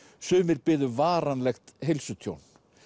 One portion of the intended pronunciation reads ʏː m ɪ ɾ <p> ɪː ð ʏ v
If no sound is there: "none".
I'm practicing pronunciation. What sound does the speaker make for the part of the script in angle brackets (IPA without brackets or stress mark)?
p